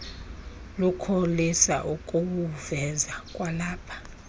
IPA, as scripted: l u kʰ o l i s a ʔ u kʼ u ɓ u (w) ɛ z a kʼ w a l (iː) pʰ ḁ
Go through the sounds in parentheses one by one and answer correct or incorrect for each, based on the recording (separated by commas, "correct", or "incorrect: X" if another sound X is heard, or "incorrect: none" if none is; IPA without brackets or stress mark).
incorrect: v, incorrect: aː